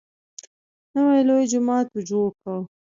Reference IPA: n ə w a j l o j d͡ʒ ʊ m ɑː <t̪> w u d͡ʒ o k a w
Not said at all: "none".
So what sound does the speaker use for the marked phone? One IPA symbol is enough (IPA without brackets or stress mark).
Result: t̪